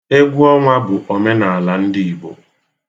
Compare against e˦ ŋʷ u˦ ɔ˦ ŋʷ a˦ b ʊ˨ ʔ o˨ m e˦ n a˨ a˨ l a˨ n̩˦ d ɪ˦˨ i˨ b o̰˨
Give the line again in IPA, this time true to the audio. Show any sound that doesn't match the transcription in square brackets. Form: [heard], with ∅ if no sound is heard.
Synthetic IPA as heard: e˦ [ɡʷ] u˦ ɔ˦ ŋʷ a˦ b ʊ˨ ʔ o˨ m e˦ n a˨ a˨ l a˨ n̩˦ d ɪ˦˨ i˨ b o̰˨